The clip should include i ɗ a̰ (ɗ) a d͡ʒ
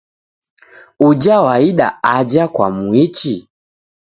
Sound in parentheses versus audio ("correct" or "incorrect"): incorrect